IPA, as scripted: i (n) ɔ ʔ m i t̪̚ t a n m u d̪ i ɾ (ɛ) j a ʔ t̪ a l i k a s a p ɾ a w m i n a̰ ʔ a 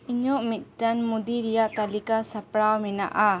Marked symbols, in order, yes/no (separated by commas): no, no